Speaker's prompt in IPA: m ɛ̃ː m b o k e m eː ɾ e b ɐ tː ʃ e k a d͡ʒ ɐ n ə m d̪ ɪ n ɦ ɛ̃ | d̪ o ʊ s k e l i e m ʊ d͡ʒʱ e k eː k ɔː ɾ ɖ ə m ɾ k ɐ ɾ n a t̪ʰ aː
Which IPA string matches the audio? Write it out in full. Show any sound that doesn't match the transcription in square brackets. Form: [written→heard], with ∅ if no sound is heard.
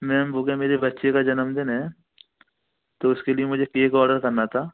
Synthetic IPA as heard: m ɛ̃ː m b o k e m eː ɾ e b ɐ tː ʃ e k a d͡ʒ ɐ n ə m d̪ ɪ n ɦ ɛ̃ | [d̪→t̪] o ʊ s k e l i e m ʊ d͡ʒʱ e k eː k ɔː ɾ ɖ ə [m→∅] ɾ k ɐ ɾ n a t̪ʰ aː